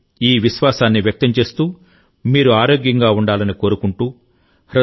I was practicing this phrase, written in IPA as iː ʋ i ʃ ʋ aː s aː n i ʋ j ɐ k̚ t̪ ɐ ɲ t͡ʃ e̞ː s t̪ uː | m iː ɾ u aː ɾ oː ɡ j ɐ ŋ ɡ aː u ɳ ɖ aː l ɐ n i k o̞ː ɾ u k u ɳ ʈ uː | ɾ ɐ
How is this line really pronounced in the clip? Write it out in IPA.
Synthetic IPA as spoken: iː ʋ i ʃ ʋ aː s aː nː i ʋ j ɐ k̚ t̪ ɐ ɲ t͡ʃ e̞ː s t̪ uː | m iː ɾ u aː ɾ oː ɡ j ɐ ŋ ɡ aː u ɳ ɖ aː l ɐ n i k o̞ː ɾ u k u ɳ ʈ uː | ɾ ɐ